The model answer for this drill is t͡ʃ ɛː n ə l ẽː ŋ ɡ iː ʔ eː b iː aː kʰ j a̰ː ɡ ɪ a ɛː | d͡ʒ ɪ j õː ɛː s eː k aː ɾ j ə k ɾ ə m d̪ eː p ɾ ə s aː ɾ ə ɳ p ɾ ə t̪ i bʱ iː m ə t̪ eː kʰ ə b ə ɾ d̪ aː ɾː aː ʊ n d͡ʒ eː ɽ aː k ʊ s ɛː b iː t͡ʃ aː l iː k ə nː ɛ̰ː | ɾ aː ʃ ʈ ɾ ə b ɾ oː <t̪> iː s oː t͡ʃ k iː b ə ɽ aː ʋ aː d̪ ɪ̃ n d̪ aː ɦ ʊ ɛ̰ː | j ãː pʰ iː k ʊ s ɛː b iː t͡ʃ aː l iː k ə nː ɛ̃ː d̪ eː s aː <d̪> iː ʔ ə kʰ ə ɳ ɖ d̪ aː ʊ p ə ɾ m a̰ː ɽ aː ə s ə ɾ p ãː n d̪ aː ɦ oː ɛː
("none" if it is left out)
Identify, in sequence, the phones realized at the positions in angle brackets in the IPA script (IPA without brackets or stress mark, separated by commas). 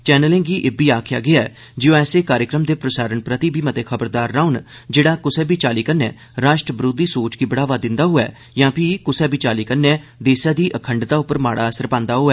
d̪, d̪